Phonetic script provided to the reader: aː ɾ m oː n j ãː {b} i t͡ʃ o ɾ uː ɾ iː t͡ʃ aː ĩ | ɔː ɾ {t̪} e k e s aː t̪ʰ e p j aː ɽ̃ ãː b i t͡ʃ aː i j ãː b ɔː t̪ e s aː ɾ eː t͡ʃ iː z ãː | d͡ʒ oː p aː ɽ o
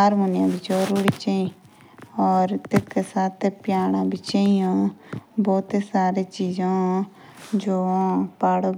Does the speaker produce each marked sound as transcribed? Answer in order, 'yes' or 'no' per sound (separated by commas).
yes, yes